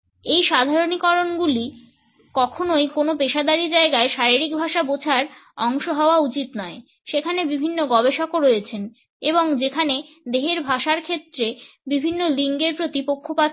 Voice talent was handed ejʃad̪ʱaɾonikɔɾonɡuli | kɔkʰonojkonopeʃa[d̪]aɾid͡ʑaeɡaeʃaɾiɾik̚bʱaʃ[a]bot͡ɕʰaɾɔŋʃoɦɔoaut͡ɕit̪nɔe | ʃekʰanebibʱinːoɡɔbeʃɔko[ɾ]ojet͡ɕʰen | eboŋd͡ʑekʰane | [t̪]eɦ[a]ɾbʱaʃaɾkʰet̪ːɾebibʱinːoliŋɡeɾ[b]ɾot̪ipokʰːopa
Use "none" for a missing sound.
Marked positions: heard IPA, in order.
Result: d̪, a, ɾ, d̪, e, p

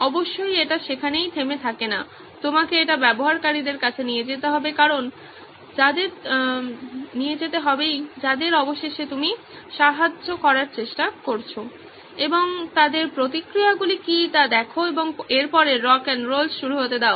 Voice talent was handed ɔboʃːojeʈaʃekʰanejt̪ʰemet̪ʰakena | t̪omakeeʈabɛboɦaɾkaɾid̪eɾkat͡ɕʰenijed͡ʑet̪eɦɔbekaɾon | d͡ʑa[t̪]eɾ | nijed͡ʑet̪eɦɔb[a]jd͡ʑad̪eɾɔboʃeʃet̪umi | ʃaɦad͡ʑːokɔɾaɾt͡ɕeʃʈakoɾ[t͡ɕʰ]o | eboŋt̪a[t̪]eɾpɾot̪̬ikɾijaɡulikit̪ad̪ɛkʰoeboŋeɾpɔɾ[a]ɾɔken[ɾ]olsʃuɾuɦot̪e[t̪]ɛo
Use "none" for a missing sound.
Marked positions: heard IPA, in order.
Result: d̪, e, t͡ɕʰ, d̪, e, ɾ, d̪

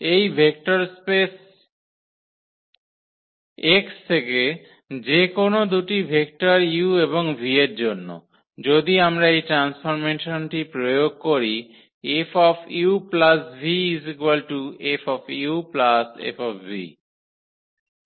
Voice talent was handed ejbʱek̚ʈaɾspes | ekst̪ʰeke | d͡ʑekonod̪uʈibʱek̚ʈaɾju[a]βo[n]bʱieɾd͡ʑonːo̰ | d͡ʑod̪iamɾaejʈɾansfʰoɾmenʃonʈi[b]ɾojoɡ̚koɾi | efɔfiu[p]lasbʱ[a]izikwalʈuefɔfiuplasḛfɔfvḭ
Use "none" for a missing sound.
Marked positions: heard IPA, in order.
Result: e, ŋ, p, p, i

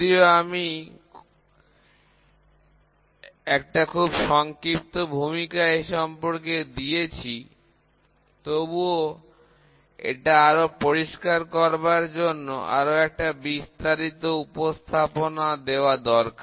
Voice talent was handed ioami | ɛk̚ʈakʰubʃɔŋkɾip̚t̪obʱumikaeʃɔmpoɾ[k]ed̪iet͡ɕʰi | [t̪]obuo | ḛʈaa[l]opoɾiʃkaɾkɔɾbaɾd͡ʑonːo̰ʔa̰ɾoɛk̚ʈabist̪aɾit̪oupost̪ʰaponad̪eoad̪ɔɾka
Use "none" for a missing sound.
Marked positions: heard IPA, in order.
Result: k, t̪, ɾ

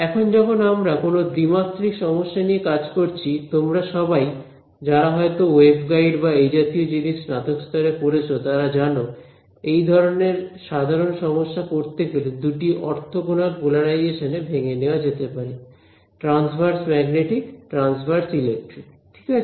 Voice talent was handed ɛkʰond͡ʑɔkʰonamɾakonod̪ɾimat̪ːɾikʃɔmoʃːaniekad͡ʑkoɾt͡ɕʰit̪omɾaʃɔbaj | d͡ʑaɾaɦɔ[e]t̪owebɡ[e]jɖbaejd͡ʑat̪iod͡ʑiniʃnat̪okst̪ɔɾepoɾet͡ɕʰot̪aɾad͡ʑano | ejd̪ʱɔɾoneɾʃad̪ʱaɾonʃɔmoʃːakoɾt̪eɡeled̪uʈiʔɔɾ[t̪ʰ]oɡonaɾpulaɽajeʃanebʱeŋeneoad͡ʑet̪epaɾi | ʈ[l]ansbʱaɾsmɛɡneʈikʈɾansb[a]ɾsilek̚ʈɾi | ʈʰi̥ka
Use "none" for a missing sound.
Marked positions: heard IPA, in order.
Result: e, a, t̪ʰ, ɾ, a

